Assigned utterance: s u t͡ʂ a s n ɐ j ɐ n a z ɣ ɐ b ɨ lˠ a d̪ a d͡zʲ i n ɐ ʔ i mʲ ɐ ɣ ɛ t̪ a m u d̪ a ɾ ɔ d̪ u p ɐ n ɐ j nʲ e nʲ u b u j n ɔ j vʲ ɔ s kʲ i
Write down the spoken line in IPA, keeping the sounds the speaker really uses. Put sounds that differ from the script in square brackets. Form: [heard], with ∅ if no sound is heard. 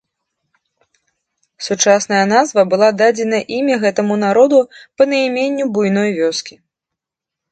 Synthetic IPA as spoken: s u t͡ʂ a s n ɐ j ɐ n a z [v] ɐ b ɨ lˠ a d̪ a d͡zʲ [ɛ] n ɐ ʔ i mʲ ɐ ɣ ɛ t̪ [ɐ] m u [n̪] a ɾ ɔ d̪ u p ɐ n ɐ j [mʲ] e [nʲː] u b u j n ɔ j vʲ ɔ s kʲ i